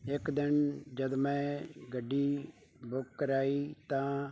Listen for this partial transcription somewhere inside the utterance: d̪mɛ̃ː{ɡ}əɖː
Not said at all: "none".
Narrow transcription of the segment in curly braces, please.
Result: ɡ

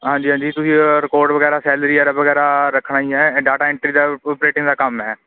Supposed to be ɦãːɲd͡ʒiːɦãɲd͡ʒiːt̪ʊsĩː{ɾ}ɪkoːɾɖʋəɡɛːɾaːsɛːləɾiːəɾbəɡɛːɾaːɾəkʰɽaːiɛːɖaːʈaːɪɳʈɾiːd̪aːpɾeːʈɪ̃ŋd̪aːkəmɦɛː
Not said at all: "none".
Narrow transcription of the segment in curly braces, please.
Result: ɾ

